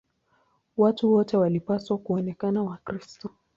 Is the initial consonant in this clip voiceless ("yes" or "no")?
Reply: no